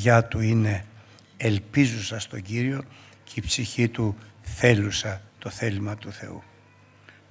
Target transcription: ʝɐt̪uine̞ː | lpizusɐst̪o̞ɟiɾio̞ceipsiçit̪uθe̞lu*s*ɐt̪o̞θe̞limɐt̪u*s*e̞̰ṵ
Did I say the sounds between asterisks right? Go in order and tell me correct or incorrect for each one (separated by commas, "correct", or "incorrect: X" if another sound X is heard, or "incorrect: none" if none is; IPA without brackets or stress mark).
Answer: correct, incorrect: θ